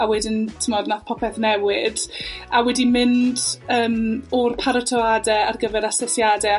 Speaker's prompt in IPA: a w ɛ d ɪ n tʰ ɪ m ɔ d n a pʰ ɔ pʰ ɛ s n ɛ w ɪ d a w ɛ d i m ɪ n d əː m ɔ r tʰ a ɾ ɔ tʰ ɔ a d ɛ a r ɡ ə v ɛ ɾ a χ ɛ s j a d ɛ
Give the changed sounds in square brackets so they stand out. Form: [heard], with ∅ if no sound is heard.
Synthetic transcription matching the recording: a w ɛ d ɪ n tʰ ɪ m ɔ d n a pʰ ɔ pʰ ɛ [θ] n ɛ w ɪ d a w ɛ d i m ɪ n d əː m ɔ r [pʰ] a ɾ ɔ tʰ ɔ a d ɛ a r ɡ ə v ɛ ɾ a [s] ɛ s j a d ɛ